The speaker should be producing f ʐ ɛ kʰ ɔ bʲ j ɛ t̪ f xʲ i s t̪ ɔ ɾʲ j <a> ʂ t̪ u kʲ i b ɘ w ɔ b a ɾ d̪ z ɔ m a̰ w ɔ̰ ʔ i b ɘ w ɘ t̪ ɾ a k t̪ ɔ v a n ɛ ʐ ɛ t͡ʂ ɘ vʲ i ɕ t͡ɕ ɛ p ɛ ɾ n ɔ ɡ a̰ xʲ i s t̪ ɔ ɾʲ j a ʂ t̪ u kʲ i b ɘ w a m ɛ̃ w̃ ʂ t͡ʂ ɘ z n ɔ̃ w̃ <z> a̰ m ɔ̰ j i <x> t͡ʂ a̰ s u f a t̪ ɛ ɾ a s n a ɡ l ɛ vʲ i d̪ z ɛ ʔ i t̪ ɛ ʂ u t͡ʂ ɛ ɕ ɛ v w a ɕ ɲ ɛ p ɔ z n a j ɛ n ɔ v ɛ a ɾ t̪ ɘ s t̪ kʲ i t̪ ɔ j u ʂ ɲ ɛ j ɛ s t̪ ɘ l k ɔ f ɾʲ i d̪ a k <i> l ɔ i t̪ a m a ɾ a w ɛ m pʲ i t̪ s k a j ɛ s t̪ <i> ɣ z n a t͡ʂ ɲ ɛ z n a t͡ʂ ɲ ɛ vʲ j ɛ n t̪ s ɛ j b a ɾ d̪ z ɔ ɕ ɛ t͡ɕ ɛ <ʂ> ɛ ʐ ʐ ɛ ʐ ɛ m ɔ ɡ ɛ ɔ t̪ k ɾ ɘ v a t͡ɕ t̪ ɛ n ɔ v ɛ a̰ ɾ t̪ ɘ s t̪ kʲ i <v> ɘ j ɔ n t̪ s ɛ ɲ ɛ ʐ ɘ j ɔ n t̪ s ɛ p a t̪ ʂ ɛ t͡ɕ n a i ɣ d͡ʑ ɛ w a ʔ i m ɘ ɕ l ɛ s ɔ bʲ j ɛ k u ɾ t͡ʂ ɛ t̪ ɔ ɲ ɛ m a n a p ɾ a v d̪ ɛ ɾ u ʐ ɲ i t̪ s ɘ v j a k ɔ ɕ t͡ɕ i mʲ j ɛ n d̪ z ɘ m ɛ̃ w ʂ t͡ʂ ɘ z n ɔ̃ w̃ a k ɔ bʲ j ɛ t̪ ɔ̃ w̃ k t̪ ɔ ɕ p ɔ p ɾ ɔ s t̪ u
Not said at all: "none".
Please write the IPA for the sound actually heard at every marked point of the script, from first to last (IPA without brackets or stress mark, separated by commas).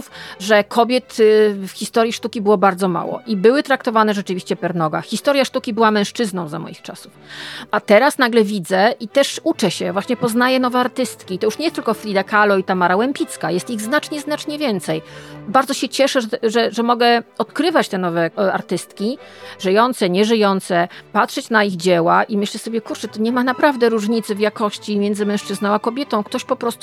i, z, x, a, i, ʂ, ʐ